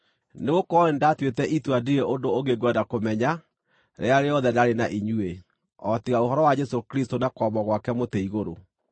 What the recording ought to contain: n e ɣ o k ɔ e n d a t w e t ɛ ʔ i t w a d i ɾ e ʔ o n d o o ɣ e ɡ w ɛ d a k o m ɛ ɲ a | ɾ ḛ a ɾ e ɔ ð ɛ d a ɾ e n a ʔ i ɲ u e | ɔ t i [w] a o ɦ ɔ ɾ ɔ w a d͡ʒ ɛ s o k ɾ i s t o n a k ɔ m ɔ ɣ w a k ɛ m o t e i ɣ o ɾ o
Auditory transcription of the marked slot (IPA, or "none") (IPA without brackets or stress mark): ɣ